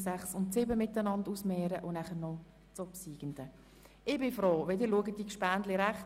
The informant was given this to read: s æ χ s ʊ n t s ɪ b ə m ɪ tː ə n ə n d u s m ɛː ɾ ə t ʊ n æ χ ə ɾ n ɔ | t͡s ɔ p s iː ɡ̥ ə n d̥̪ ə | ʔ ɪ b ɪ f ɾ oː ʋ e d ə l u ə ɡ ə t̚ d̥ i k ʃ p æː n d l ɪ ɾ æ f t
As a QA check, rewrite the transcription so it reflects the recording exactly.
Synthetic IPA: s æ χ s ʊ n t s ɪ b ə m ɪ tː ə n ɑ n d u s m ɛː ɾ ə ʔ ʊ n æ χ ə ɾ n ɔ | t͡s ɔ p s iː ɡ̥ ə n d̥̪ ə | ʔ ɪ b ɪ f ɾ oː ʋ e d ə l u ə ɡ ə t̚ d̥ i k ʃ p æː n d l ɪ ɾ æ χ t